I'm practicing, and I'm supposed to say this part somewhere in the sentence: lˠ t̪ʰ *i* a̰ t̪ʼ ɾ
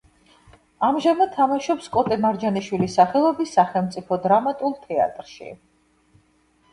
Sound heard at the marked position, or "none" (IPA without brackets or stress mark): ɛ